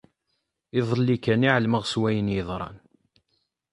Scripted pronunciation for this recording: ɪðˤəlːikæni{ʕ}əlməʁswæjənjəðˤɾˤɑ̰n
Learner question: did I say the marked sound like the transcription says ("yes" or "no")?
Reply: yes